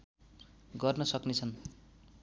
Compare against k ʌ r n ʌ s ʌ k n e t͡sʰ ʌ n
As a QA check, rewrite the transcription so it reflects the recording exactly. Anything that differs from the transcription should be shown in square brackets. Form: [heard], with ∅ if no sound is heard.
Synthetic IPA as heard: [ɡ] ʌ r n ʌ s ʌ k n e t͡sʰ ʌ n

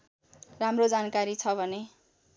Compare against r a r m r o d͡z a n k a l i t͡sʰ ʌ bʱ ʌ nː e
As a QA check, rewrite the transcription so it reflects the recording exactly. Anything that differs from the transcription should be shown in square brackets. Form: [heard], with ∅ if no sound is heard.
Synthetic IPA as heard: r a [∅] m r o d͡z a n k a [ɾ] i t͡sʰ ʌ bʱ ʌ [n] e

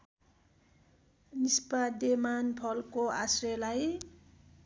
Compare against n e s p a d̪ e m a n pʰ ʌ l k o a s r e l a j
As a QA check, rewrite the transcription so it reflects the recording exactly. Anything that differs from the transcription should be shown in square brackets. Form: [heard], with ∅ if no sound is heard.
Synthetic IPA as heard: n [i] s p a d̪ e m a n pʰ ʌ l k o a s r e l a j

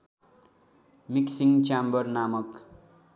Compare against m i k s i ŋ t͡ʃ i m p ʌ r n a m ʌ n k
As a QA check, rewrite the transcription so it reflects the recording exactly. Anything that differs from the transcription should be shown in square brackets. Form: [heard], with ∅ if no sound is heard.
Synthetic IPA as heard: m i k s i ŋ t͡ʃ [a] m [b] ʌ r n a m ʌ [∅] k

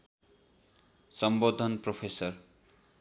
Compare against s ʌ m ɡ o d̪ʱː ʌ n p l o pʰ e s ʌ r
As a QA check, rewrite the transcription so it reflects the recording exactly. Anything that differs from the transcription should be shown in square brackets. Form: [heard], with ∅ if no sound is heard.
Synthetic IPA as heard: s ʌ m [b] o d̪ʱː ʌ n p [r] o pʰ e s ʌ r

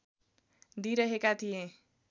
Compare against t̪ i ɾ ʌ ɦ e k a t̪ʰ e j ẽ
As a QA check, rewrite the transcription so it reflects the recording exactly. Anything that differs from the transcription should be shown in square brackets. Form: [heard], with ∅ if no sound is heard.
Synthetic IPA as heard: [d̪] i ɾ ʌ ɦ e k a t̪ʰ [i] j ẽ

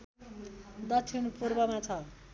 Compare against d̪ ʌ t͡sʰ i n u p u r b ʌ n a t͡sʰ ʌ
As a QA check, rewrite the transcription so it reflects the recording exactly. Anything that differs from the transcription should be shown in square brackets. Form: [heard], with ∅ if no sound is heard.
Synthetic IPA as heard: d̪ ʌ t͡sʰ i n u p u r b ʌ [m] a t͡sʰ ʌ

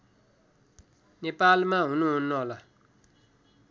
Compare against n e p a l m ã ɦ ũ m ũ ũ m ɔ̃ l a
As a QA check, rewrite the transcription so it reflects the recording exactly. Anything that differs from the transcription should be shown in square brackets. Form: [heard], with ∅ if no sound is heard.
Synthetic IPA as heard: n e p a l m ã ɦ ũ [n] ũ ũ [n] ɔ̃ l a

